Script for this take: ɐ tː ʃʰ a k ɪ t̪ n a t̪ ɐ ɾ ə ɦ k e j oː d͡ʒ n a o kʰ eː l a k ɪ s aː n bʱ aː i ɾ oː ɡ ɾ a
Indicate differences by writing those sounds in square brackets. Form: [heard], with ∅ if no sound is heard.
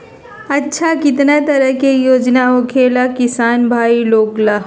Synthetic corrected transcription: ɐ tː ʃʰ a k ɪ t̪ n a t̪ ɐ ɾ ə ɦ k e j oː d͡ʒ n a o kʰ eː l a k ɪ s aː n bʱ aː i [l] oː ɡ [l] a